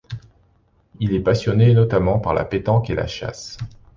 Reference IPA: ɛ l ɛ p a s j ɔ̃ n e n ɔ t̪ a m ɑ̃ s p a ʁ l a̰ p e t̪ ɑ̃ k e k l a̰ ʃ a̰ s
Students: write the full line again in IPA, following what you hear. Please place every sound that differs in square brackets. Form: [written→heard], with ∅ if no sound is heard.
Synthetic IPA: [ɛ→i] l ɛ p a s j [ɔ̃→ɔ] n e n ɔ t̪ a m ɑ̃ [s→∅] p a ʁ l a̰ p e t̪ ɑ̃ k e [k→∅] l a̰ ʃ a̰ s

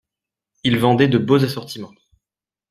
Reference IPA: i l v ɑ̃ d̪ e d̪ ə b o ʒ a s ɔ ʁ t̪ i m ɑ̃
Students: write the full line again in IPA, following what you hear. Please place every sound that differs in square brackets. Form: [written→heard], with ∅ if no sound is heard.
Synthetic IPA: i l v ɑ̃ d̪ [e→ɛ] d̪ ə b o [ʒ→z] a s ɔ ʁ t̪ i m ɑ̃

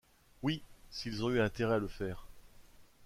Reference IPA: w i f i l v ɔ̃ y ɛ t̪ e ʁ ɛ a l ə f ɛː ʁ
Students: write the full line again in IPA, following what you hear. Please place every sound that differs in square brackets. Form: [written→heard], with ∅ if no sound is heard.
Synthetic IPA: w i [f→s] i l [v→z] ɔ̃ y [ɛ→ɛ̃] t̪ e ʁ ɛ a l ə f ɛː ʁ

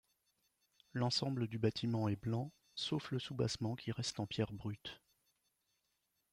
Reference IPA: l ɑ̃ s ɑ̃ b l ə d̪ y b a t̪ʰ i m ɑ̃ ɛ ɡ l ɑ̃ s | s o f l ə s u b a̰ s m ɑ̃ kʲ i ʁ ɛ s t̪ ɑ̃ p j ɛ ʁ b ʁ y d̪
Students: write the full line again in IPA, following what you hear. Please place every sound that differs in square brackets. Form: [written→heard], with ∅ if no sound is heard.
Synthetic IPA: l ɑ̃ s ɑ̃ b l ə d̪ y b a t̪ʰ i m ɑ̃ ɛ [ɡ→b] l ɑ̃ [s→∅] | s o f l ə s u b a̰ s m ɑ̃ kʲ i ʁ ɛ s t̪ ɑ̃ p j ɛ ʁ b ʁ y [d̪→t̪]

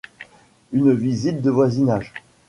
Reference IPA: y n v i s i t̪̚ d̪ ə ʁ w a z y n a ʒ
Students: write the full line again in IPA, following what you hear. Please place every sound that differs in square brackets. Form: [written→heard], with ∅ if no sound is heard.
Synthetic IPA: y n v i [s→z] i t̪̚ d̪ ə [ʁ→v] w a z [y→i] n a ʒ

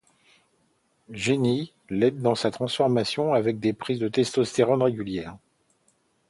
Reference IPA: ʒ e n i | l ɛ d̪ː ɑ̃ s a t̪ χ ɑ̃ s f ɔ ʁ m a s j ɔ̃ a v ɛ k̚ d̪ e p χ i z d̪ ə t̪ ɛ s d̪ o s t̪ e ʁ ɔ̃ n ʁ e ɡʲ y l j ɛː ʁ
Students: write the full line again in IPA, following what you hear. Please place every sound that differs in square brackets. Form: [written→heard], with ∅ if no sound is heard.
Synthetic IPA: ʒ e n i | l ɛ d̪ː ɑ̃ s a t̪ χ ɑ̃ s f ɔ ʁ m a s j ɔ̃ a v ɛ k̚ d̪ e p χ i z d̪ ə t̪ ɛ s [d̪→t̪] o s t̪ e ʁ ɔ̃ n ʁ e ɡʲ y l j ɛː ʁ

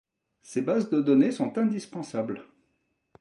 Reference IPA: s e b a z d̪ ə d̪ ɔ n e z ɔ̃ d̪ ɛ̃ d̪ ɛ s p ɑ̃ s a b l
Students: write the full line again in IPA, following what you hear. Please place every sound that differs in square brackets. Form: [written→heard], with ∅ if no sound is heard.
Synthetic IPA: s e b a z d̪ ə d̪ ɔ n e [z→s] ɔ̃ [d̪→t̪] ɛ̃ d̪ [ɛ→i] s p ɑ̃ s a b l

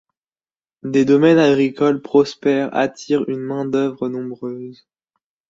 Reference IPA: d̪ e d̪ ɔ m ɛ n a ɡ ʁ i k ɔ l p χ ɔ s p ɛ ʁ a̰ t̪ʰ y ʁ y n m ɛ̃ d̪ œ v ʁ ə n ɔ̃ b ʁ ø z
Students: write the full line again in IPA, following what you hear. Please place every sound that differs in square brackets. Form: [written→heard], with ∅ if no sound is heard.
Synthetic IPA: d̪ e d̪ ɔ m ɛ n a ɡ ʁ i k ɔ l p χ ɔ s p ɛ ʁ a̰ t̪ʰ [y→i] ʁ y n m ɛ̃ d̪ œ v ʁ ə n ɔ̃ b ʁ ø z

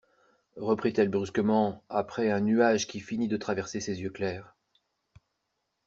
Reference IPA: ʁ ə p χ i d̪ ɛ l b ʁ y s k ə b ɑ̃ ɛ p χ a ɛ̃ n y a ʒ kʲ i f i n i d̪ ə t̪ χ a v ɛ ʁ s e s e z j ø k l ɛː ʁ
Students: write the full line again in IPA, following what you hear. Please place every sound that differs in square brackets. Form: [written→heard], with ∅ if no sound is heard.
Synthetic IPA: ʁ ə p χ i [d̪→t̪] ɛ l b ʁ y s k ə [b→m] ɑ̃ [ɛ→a] p χ [a→ɛ] ɛ̃ n y a ʒ kʲ i f i n i d̪ ə t̪ χ a v ɛ ʁ s e s e z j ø k l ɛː ʁ

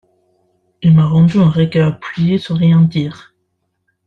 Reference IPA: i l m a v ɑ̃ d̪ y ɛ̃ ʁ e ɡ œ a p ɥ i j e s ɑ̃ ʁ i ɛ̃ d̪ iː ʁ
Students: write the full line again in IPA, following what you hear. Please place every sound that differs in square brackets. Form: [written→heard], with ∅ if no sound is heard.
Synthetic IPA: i l m a [v→ʁ] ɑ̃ d̪ y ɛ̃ ʁ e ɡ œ a p ɥ i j e s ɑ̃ ʁ [i→j] ɛ̃ d̪ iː ʁ

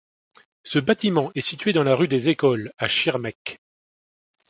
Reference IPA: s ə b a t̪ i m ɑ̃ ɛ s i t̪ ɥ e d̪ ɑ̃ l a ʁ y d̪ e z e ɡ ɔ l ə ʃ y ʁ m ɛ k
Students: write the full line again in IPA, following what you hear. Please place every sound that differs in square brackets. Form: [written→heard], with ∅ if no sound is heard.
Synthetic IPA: s ə b a t̪ i m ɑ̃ ɛ s i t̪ ɥ e d̪ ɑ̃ l a ʁ y d̪ e z e [ɡ→k] ɔ l [ə→a] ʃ [y→i] ʁ m ɛ k

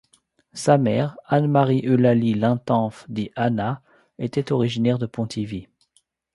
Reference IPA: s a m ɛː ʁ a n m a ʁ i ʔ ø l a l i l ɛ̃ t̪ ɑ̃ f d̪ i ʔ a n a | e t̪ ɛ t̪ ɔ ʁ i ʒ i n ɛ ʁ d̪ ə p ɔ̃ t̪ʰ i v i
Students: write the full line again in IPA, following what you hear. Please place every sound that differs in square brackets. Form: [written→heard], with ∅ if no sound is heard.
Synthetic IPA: s a m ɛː ʁ a n m a ʁ i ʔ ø l a l i l ɛ̃ t̪ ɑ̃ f d̪ i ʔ a n a | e t̪ ɛ t̪ ɔ ʁ i ʒ i n ɛ ʁ d̪ ə p ɔ̃ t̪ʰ i v i

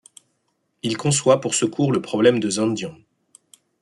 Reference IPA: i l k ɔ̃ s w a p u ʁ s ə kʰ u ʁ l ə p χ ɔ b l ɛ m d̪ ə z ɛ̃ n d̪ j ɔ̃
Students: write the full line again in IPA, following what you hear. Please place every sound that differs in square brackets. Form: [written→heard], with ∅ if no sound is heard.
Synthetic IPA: i l k ɔ̃ s w a p u ʁ s ə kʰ u ʁ l ə p χ ɔ b l ɛ m d̪ ə z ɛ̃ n d̪ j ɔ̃

